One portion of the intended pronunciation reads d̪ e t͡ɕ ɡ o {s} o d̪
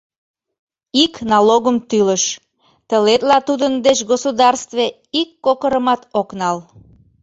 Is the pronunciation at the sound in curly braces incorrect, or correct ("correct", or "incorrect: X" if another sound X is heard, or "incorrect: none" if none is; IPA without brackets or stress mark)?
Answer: correct